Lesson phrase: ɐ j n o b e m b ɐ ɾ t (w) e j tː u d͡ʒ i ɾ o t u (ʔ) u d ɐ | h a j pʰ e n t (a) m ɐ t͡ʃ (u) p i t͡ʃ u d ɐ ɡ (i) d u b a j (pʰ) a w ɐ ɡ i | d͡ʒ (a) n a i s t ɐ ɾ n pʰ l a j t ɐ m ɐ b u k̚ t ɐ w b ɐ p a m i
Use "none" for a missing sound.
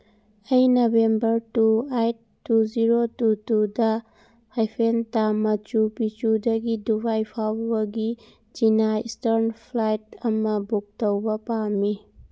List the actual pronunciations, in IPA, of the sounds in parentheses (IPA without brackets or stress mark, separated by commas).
u, t, a, u, i, pʰ, i